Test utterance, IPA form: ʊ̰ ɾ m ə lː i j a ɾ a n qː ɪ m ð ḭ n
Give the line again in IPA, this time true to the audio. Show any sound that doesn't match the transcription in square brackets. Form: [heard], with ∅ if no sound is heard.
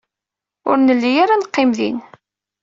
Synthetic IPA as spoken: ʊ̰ ɾ [n] ə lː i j a ɾ a n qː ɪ m ð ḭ n